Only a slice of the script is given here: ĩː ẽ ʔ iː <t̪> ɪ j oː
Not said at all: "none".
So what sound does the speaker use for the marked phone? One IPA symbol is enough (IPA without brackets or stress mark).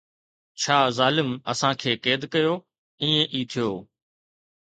t̪ʰ